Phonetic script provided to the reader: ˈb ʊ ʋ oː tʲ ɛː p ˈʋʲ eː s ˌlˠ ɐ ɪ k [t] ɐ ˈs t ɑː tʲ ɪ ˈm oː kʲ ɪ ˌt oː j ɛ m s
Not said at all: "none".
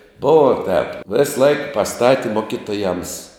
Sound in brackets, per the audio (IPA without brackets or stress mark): p